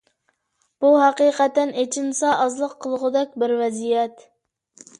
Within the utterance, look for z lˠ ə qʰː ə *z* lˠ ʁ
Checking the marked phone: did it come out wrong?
yes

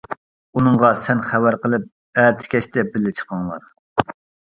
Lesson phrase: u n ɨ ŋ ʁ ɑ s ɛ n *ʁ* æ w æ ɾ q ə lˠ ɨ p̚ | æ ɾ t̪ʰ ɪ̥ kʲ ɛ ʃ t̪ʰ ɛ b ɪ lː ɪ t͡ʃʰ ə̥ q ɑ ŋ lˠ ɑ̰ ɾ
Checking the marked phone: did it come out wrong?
yes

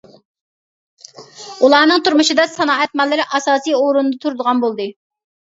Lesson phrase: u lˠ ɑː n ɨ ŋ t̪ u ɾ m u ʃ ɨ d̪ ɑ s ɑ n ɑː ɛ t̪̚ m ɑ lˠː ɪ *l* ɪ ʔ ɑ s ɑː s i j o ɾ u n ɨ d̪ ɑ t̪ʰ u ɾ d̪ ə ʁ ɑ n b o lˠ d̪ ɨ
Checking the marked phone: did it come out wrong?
yes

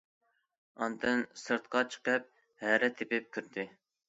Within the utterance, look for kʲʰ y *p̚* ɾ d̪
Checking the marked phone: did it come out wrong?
yes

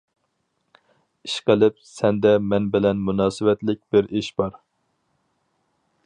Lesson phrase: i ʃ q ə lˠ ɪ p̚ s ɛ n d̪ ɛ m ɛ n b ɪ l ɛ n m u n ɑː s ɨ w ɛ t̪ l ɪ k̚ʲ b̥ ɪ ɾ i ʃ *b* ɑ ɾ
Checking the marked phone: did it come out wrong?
no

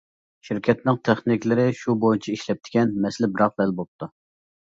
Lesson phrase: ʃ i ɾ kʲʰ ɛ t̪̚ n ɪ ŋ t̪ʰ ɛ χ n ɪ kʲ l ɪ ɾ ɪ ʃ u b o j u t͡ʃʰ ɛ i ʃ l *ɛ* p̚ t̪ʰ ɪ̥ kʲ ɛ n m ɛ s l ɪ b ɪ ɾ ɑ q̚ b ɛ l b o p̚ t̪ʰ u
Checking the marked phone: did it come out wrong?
no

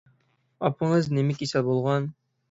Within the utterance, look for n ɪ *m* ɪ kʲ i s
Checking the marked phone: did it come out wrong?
no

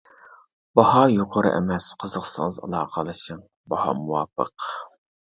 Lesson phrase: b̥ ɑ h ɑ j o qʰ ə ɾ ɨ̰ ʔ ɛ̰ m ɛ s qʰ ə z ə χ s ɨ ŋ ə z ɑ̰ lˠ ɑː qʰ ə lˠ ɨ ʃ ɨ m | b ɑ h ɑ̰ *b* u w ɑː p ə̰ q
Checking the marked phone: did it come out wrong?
yes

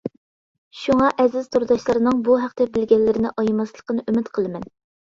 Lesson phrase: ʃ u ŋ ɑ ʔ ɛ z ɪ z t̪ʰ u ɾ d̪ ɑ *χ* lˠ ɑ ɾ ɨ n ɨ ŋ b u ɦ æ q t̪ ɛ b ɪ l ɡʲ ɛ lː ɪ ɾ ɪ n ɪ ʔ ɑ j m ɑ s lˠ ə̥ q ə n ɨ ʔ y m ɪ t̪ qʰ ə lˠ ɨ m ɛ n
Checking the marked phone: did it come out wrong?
yes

